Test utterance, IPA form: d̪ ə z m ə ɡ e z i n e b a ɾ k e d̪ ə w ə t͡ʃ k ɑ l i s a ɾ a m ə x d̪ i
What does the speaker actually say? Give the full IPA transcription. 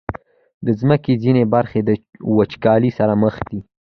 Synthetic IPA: d̪ ə z m ə k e z i n e b a ɾ x e d̪ ə w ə t͡ʃ k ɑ l i s a ɾ a m ə x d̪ i